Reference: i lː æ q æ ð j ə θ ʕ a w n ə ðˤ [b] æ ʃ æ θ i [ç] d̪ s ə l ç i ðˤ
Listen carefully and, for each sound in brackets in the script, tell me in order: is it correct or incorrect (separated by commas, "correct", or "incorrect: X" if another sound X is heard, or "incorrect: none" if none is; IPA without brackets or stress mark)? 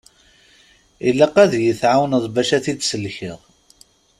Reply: correct, incorrect: none